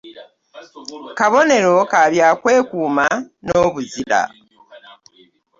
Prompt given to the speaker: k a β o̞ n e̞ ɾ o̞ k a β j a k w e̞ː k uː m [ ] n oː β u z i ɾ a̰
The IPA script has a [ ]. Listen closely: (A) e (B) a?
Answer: B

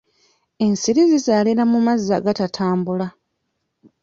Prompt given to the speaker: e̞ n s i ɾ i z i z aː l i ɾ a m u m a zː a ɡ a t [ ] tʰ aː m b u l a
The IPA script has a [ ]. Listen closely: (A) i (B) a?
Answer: B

